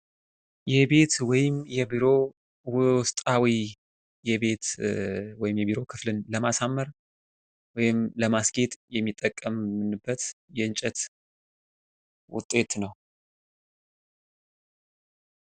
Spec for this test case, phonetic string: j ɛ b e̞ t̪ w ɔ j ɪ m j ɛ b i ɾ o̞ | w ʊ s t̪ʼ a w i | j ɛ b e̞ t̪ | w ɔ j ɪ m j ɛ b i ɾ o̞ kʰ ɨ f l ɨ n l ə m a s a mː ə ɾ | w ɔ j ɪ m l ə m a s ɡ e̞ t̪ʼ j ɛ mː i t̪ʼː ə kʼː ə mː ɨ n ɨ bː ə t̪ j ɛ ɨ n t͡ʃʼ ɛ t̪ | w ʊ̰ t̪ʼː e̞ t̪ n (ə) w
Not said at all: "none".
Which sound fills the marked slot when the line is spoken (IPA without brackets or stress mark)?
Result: ə